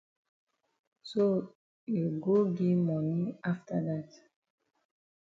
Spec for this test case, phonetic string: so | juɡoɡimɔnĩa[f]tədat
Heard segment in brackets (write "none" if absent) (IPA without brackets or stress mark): f